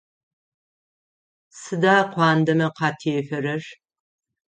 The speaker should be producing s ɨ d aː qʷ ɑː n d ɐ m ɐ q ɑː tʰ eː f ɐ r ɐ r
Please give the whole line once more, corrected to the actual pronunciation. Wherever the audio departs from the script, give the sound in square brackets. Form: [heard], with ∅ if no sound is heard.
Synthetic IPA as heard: s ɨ d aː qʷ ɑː n d ɐ m ɐ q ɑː tʰ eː f ɐ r ɐ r